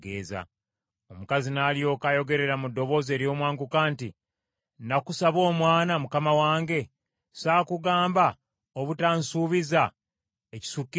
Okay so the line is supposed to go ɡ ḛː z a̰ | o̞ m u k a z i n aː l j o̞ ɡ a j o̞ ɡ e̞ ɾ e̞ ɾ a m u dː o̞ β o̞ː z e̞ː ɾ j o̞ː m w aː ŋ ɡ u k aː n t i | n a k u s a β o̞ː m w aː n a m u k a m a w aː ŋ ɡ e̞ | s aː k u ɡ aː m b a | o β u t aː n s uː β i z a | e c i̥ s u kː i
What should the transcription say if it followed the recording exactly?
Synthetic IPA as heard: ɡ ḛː z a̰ | o̞ m u k a z i n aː l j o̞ k a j o̞ ɡ e̞ ɾ e̞ ɾ a m u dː o̞ β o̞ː z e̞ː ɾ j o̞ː m w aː ŋ ɡ u k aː n t i | n a k u s a β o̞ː m w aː n a m u k a m a w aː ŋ ɡ e̞ | s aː k u ɡ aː m b a | o β u t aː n s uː β i z a | e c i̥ s u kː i